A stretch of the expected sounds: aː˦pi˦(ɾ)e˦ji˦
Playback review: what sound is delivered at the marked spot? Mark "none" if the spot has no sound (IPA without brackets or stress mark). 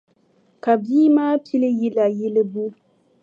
l